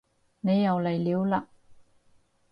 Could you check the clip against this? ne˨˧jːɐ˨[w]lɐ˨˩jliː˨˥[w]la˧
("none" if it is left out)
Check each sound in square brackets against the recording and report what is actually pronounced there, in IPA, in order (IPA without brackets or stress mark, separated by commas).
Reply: w, w